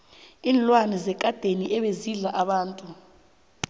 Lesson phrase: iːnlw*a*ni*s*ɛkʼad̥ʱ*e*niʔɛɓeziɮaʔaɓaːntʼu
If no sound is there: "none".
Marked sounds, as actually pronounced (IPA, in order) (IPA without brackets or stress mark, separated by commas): a, z, e